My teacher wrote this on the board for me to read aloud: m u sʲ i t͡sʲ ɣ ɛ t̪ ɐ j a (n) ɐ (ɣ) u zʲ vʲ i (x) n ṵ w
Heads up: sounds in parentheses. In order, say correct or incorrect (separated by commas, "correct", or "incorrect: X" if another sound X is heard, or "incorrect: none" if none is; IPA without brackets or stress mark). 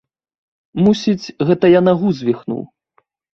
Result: correct, correct, correct